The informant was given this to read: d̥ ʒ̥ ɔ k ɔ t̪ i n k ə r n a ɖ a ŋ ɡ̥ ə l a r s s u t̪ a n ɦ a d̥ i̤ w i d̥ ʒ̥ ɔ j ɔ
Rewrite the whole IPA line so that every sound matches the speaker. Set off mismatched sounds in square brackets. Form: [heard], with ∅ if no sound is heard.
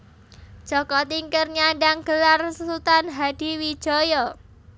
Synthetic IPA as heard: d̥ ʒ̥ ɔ k ɔ t̪ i [ŋ] k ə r [ɲ] a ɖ a ŋ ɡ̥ ə l a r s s u t̪ a n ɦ a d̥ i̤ w i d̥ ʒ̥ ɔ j ɔ